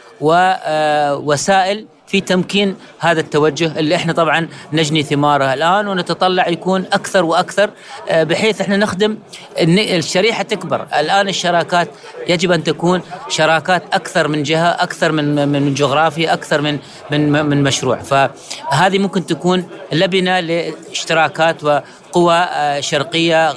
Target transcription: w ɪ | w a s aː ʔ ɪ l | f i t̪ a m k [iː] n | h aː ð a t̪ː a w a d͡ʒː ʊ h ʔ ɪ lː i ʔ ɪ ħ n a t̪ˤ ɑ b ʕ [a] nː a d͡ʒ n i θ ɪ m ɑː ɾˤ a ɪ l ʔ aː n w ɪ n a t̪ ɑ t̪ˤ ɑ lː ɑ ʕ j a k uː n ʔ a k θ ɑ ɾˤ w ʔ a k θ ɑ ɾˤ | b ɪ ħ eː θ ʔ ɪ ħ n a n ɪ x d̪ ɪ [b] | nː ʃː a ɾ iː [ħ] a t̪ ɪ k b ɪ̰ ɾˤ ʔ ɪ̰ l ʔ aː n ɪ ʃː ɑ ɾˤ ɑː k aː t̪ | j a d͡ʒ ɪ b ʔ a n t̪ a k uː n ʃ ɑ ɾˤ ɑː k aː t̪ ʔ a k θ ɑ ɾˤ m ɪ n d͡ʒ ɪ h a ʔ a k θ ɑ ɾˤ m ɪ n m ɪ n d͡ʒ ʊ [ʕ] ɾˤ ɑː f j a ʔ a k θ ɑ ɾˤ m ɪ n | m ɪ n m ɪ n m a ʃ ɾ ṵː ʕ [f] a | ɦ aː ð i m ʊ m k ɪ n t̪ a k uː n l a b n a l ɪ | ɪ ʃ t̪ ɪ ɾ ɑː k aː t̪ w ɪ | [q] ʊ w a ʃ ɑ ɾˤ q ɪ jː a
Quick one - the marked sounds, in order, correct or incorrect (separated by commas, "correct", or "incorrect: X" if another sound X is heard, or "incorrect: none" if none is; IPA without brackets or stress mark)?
correct, incorrect: ɑ, incorrect: m, correct, incorrect: ɣ, correct, correct